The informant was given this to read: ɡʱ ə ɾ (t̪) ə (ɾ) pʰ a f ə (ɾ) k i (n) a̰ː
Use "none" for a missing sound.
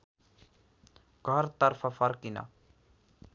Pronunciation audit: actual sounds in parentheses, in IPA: t̪, ɾ, ɾ, n

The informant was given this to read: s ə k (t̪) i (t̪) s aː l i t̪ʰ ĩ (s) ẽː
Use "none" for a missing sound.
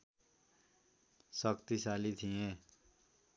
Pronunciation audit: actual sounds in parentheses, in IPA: t̪, none, none

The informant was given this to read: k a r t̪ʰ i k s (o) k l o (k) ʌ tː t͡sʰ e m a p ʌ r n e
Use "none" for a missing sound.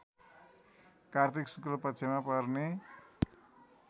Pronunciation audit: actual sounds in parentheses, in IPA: u, p

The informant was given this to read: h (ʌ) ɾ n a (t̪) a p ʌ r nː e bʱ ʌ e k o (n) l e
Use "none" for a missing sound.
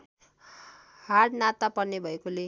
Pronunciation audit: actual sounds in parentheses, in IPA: a, t̪, none

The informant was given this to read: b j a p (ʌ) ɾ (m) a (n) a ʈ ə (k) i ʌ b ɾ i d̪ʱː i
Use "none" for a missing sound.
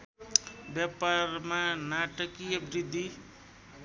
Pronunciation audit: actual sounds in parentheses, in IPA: a, m, n, k

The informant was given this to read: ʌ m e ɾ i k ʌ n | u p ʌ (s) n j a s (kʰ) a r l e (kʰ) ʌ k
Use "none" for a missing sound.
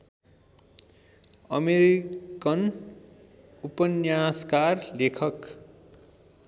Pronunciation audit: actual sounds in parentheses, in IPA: none, k, kʰ

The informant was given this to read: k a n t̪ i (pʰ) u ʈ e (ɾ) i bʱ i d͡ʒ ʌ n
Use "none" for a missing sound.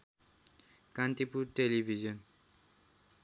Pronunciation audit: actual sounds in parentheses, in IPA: p, l

